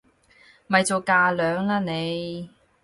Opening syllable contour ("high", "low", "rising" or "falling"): low